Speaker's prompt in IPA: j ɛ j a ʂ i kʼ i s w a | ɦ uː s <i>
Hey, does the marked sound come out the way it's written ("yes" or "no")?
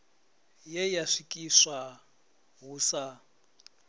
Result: no